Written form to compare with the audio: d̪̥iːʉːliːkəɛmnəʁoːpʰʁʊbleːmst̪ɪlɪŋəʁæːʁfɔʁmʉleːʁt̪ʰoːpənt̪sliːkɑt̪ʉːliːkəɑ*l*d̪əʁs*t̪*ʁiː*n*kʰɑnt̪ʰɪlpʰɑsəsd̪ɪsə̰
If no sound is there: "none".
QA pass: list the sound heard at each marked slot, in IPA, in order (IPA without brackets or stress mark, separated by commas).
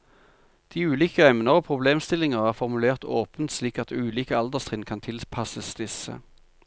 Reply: l, t̪, n